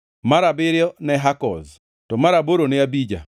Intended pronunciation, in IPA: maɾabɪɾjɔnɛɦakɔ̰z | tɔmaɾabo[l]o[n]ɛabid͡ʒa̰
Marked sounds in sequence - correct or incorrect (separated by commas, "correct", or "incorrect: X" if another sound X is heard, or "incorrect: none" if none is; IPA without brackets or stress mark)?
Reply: incorrect: ɾ, correct